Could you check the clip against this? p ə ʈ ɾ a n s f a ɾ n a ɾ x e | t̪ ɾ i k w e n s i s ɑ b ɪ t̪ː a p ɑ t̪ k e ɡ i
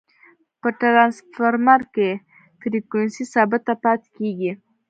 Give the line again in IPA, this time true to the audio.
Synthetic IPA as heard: p ə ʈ ɾ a n s f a ɾ m a ɾ k e | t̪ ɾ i k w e n s i s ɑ b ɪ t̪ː a p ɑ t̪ k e ɡ i